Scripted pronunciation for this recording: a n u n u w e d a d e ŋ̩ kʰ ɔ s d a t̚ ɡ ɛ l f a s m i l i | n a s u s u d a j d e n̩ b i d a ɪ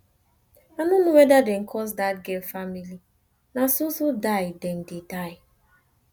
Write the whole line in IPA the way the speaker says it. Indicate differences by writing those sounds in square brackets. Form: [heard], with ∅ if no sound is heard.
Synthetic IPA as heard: a n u n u w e d a d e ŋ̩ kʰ ɔ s d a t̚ ɡ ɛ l f a [∅] m i l i | n a s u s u d a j d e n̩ [d] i d a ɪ